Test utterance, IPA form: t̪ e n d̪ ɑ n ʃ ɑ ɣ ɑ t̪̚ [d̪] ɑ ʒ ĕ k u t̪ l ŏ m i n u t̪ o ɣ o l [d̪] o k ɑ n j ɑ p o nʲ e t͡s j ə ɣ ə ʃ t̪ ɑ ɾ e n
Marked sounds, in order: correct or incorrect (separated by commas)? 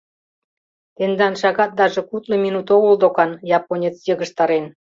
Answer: correct, correct